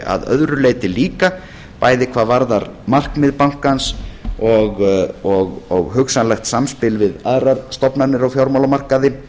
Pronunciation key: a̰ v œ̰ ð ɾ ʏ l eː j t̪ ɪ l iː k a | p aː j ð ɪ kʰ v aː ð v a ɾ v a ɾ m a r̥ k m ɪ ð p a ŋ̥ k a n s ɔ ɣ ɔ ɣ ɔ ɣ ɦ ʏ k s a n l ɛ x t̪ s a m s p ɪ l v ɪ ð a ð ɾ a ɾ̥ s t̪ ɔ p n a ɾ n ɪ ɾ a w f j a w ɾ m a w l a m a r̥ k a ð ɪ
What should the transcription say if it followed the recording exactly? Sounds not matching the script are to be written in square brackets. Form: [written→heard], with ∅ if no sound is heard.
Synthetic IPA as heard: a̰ [v→ð] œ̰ ð ɾ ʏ l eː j t̪ ɪ l iː k a | p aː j ð ɪ kʰ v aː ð v a ɾ [v→ð] a ɾ m a r̥ k m ɪ ð p a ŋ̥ k a n s ɔ ɣ ɔ ɣ ɔ ɣ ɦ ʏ k s a n l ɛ x t̪ s a m s p ɪ l v ɪ ð a ð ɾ a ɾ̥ s t̪ ɔ p n a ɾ n ɪ ɾ a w f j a w ɾ m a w l a m a r̥ k a ð ɪ